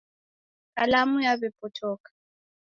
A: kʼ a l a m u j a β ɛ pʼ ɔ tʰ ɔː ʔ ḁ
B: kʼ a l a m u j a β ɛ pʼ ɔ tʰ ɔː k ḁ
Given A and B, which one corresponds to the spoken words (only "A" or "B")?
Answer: B